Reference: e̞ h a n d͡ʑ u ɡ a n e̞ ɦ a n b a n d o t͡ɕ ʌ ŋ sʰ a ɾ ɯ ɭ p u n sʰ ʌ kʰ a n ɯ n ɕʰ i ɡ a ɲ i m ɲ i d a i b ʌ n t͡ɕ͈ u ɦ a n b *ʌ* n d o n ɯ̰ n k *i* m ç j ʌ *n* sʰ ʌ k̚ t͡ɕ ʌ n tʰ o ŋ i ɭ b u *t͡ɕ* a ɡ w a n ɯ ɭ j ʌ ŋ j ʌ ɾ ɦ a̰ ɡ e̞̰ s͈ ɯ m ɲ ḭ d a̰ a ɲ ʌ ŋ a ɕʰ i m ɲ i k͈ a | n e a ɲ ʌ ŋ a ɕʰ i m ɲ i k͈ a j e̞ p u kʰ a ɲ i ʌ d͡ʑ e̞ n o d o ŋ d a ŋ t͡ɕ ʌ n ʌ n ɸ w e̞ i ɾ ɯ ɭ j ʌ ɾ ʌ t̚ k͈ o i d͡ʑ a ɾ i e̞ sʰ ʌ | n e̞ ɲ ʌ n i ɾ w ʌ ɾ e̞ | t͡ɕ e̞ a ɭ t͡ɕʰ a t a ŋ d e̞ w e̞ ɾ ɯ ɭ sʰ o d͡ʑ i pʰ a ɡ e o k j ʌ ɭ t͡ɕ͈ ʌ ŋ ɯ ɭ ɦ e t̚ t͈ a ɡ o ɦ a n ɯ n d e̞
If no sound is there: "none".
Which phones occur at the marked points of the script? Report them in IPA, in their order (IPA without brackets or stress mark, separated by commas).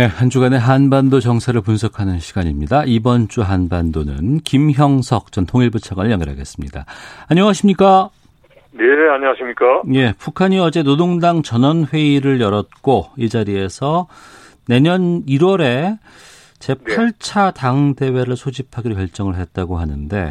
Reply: a, i, ŋ, t͡ɕʰ